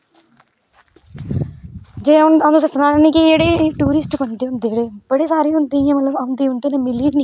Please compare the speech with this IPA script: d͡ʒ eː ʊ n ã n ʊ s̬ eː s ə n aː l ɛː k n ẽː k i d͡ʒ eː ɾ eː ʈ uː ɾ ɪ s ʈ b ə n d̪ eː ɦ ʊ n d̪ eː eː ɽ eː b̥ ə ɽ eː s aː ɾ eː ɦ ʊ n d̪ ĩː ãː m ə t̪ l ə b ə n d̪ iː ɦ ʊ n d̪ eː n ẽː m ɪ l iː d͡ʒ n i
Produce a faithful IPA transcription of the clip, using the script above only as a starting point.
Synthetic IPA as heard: d͡ʒ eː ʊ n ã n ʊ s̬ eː s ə n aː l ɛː n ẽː k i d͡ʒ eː ɽ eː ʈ uː ɾ ɪ s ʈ b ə n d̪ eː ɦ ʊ n d̪ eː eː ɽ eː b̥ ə ɽ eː s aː ɾ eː ɦ ʊ n d̪ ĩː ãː m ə t̪ l ə b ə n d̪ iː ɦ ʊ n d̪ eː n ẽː m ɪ l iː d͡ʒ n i